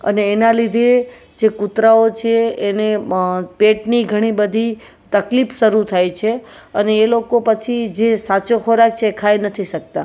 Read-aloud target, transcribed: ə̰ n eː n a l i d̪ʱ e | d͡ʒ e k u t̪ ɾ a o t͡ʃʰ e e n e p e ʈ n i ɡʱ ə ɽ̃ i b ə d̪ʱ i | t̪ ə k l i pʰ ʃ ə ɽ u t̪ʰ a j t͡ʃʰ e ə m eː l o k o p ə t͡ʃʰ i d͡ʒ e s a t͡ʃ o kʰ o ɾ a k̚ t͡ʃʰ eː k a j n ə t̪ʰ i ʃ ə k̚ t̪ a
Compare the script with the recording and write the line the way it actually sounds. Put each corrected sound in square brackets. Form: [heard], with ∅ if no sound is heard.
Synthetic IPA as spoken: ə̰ n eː n a l i d̪ʱ e | d͡ʒ e k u t̪ ɾ a o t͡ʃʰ e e n e p e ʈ n i ɡʱ ə ɽ̃ i b ə d̪ʱ i | t̪ ə k l i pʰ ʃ ə [ɾ] u t̪ʰ a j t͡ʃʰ e ə [n] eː l o k o p ə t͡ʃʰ i d͡ʒ e s a t͡ʃ o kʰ o ɾ a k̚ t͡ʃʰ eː [kʰ] a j n ə t̪ʰ i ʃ ə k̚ t̪ a